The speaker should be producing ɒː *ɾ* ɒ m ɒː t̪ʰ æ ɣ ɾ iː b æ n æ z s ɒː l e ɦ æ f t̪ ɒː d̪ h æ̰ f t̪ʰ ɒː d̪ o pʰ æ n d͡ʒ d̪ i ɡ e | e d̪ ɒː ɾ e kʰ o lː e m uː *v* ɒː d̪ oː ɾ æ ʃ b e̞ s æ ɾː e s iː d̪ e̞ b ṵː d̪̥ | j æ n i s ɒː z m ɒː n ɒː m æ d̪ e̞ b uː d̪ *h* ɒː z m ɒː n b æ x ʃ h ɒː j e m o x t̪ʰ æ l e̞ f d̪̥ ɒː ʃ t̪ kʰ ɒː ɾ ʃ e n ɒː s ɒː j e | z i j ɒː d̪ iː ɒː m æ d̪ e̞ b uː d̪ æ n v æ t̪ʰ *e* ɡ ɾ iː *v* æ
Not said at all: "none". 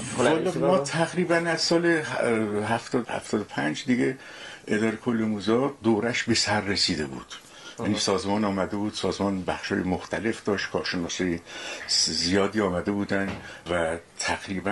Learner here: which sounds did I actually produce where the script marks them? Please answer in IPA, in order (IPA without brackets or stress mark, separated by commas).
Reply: l, z, s, æ, b